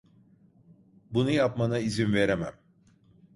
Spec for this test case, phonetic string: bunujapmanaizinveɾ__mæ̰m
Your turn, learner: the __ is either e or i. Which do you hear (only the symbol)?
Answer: e